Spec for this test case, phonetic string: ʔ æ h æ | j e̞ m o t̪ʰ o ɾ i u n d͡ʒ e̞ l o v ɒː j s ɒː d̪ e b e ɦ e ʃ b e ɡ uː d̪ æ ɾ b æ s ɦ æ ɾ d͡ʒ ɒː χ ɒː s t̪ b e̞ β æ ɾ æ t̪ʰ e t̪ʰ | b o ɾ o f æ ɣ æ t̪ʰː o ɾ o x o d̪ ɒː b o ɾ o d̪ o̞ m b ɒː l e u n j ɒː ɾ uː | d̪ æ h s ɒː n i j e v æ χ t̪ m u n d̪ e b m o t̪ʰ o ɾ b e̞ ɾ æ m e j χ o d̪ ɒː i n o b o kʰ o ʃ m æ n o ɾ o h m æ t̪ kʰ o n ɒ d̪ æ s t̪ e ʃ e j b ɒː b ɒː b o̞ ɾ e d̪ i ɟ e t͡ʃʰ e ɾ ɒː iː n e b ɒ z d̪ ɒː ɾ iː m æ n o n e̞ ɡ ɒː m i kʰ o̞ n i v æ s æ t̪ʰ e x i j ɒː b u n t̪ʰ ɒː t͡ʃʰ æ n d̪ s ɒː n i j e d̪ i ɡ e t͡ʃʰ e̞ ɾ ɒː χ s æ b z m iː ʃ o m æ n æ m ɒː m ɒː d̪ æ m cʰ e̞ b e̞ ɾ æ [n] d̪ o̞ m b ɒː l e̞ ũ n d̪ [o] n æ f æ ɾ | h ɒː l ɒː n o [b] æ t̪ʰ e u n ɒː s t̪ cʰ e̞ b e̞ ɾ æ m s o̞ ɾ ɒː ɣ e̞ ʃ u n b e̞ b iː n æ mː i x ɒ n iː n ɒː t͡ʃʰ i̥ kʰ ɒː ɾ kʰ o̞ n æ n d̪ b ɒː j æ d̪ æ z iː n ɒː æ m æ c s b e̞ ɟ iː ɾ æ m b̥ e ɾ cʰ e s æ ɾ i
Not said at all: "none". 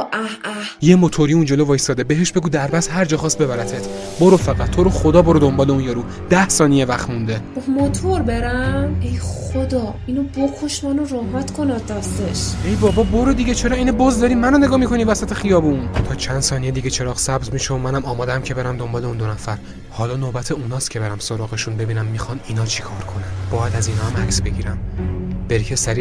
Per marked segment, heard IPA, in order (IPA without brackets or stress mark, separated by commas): m, o, b